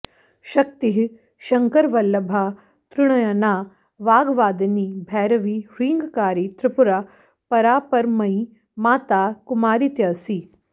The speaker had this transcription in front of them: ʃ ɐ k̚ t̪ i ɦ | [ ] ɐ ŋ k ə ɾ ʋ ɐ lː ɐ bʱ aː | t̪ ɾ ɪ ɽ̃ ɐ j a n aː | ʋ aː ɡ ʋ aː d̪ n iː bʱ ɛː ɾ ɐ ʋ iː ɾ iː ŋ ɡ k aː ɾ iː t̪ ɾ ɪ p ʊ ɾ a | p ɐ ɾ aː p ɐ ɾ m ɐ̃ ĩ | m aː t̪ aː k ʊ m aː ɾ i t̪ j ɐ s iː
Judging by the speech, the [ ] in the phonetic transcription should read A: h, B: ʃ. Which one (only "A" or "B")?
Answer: B